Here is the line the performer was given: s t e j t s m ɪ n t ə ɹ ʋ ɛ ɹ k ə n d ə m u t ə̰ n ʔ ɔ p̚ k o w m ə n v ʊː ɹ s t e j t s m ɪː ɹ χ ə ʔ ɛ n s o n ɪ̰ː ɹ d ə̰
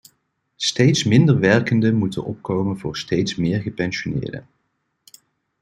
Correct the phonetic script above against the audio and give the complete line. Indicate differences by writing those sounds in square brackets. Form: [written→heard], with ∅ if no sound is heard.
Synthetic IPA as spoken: s t e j t s m ɪ n [t→d] ə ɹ ʋ ɛ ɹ k ə n d ə m u t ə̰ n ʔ ɔ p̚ k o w m ə n v ʊː ɹ s t e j t s m ɪː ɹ χ ə [ʔ→p] ɛ n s o n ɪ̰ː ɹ d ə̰